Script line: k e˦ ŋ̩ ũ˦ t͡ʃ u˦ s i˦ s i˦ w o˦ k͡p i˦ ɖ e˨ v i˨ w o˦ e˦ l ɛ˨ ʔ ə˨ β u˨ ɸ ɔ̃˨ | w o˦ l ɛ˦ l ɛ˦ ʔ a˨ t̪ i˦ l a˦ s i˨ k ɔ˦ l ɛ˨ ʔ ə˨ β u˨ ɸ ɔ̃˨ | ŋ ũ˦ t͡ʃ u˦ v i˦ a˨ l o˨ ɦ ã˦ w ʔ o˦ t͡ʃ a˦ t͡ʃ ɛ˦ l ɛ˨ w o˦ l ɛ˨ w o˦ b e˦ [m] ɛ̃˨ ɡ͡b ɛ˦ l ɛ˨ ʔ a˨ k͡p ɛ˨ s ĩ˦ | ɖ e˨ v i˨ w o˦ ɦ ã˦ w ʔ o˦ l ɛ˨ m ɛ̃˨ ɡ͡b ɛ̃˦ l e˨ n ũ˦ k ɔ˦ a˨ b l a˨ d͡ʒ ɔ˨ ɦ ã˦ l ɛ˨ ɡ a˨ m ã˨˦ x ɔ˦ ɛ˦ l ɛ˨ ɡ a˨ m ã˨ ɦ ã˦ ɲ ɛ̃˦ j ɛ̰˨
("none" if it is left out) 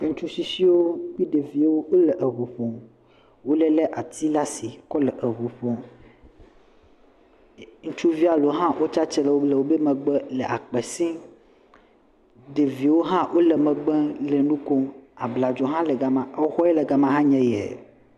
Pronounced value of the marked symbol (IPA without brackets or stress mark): m